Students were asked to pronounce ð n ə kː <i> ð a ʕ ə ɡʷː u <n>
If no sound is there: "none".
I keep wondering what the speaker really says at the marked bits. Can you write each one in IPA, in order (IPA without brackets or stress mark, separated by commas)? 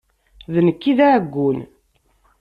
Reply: i, n